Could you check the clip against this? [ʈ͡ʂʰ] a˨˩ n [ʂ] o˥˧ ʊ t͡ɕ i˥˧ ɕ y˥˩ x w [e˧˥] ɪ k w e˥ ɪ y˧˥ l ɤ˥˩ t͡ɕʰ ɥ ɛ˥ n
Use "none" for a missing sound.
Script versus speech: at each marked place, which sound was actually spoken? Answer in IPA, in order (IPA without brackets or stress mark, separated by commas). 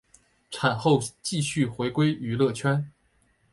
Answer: ʈ͡ʂʰ, x, e˧˥